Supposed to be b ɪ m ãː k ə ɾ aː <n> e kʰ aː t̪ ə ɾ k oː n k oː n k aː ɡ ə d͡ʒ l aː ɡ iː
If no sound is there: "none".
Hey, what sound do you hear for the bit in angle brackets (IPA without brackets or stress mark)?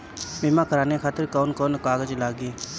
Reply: n